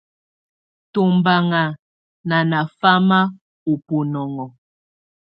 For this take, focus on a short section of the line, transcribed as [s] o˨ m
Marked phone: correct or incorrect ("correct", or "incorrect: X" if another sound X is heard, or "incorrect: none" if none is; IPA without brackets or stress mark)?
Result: incorrect: t